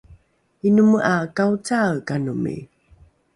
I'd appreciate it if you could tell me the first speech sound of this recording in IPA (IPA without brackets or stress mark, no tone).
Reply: i